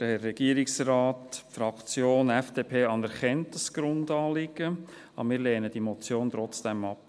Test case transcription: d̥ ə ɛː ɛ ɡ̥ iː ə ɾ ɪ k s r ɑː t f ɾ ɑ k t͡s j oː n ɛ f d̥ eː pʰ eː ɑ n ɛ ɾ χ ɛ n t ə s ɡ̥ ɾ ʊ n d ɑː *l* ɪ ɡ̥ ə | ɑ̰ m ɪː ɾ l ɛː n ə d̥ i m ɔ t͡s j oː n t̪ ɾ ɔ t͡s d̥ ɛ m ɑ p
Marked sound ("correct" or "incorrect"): correct